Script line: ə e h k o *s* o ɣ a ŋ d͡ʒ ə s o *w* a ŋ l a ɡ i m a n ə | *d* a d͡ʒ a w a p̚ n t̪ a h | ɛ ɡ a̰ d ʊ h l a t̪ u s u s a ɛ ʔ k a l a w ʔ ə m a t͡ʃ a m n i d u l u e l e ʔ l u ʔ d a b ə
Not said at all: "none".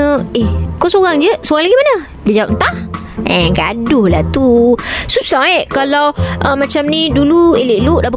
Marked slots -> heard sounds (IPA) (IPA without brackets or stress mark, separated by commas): s, ɣ, d